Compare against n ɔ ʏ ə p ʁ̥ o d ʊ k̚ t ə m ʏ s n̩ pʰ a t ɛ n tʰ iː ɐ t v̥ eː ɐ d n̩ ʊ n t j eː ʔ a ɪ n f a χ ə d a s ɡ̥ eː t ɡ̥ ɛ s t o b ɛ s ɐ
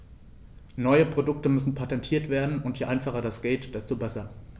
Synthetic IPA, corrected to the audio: n ɔ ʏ ə p ʁ̥ o d ʊ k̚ t ə m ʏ s n̩ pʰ a t ɛ n tʰ iː ɐ t v̥ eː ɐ d n̩ ʊ n t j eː ʔ a ɪ n f a χ ɐ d a s ɡ̥ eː t d̥ ɛ s t o b ɛ s ɐ